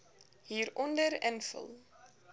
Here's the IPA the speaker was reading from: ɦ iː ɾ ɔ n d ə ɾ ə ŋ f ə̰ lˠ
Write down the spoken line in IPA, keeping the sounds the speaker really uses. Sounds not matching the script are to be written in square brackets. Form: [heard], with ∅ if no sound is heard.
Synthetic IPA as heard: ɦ iː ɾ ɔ n d ə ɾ ə [n] f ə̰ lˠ

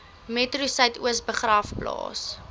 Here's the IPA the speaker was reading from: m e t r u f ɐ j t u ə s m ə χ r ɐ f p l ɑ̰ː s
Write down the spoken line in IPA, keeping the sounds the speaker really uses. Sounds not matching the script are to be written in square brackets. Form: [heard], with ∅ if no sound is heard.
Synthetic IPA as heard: m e t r u [s] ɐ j t u ə s [b] ə χ r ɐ f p l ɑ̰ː s

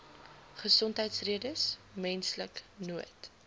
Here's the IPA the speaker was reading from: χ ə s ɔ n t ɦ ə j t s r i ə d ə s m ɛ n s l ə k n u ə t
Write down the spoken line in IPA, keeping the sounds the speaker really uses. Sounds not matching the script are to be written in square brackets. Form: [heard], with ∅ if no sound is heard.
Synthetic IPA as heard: χ ə s ɔ n t ɦ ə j t s r i ə d ə s m ɛ n s l ə k n u ə t

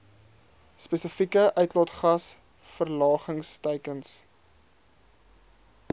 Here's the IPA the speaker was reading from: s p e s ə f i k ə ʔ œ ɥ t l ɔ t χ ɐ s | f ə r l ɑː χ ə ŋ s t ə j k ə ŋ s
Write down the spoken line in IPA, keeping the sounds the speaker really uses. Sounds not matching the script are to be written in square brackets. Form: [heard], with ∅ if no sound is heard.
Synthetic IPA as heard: s p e s ə f i k ə ʔ œ ɥ t l ɔ t χ ɐ s | f ə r l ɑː χ ə ŋ s t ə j k ə [n] s

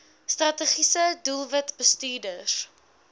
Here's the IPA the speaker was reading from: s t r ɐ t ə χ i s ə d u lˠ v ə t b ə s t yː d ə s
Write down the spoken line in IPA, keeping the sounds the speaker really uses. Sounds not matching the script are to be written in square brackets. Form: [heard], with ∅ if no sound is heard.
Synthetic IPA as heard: s t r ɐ t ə χ i s ə d u lˠ v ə t b ə s t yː d ə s

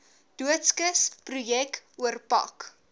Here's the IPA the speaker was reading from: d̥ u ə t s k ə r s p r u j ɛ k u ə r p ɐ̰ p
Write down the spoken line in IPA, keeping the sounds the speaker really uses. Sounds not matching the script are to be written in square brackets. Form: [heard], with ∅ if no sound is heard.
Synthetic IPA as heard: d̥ u ə t s k ə [∅] s p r u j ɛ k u ə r p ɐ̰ [k]

